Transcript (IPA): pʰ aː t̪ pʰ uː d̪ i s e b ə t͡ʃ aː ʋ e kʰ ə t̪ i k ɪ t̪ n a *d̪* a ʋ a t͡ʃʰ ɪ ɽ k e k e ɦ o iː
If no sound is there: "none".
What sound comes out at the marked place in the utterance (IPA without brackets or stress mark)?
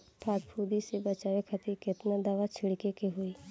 d̪